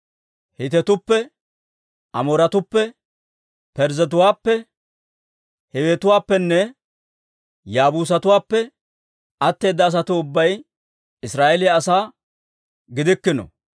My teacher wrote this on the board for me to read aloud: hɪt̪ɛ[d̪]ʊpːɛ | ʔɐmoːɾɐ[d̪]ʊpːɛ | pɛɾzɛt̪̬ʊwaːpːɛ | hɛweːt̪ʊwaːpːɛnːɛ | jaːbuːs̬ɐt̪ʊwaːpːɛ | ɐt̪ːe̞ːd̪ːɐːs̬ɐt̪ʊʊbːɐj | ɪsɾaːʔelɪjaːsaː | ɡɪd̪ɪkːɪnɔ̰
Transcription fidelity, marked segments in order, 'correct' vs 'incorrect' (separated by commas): incorrect, incorrect